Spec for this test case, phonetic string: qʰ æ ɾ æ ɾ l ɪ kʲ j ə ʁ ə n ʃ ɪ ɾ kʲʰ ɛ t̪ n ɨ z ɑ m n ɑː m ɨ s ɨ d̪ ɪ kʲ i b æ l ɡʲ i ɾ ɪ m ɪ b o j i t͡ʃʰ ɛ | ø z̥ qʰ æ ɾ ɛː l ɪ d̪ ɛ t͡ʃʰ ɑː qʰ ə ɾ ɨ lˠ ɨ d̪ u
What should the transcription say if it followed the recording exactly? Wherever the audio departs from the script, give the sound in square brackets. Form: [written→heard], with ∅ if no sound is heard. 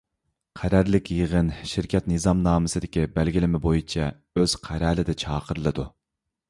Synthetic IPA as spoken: qʰ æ ɾ æ ɾ l ɪ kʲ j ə ʁ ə n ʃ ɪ ɾ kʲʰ ɛ t̪ n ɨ z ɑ m n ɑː m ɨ s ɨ d̪ ɪ kʲ i b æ l ɡʲ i [ɾ→l] ɪ m ɪ b o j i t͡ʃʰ ɛ | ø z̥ qʰ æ ɾ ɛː l ɪ d̪ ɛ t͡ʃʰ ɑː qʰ ə ɾ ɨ lˠ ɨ d̪ u